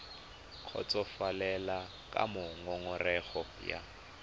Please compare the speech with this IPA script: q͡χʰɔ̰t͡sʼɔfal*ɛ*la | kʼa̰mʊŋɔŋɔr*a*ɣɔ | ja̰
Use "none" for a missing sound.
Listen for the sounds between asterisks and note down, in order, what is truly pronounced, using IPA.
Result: ɛ, ɛ

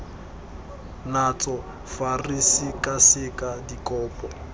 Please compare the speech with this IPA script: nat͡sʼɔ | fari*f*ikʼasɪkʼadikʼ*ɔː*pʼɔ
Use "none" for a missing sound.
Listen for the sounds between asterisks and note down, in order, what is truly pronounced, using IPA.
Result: s, ɔː

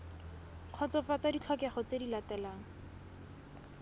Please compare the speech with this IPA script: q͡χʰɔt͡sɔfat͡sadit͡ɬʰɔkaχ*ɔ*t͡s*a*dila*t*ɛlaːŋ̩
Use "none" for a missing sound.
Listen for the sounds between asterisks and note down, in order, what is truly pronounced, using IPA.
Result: ɔ, e, t

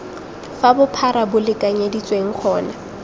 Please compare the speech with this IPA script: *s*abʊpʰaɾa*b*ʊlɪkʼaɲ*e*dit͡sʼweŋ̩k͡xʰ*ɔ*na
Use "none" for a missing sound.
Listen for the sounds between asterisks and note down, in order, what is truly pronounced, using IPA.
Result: f, b, e, ɔː

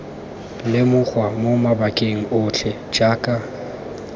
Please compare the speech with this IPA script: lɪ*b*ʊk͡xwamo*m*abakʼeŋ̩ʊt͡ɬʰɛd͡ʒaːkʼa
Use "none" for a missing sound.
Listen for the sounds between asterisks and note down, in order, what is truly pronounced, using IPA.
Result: m, m

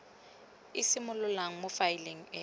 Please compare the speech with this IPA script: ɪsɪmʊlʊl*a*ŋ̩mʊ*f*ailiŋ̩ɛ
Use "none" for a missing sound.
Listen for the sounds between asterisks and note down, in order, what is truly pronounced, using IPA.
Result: a, f

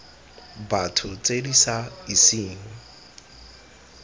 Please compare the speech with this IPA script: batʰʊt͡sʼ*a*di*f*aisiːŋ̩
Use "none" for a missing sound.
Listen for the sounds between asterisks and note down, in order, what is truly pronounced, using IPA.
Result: e, s

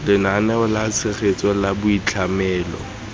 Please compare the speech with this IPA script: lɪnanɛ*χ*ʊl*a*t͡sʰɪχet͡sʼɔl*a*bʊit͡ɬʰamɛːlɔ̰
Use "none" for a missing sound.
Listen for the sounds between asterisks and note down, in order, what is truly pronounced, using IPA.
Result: none, a, a

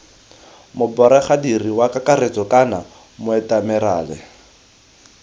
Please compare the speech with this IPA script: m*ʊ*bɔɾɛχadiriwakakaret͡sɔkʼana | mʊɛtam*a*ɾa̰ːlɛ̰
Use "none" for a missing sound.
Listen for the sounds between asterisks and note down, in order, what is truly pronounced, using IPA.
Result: ʊ, ɛ

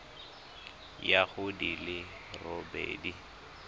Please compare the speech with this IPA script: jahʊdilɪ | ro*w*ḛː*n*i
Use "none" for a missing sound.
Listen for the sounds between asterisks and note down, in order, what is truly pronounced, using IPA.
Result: b, d

